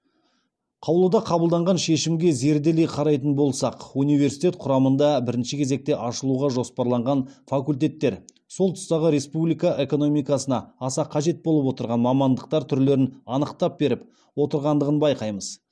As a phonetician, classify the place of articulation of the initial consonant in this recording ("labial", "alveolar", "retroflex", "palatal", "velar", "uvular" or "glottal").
uvular